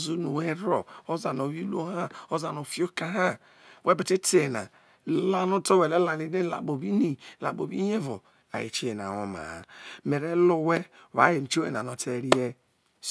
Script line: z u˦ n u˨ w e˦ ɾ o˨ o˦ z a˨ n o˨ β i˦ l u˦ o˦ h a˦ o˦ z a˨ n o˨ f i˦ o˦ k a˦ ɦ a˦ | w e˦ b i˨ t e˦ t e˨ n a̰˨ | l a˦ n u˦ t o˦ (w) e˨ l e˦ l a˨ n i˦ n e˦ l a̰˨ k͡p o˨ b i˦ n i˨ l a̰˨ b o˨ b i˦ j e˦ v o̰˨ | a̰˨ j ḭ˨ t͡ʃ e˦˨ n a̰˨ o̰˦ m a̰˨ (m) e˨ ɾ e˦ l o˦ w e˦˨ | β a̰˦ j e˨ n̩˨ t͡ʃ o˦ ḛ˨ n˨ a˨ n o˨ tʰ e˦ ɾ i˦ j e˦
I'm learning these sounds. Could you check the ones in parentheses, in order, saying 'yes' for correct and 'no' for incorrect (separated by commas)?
yes, yes